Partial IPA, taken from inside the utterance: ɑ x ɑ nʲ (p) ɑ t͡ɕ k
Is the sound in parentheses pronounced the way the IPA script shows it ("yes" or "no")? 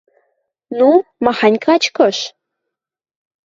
no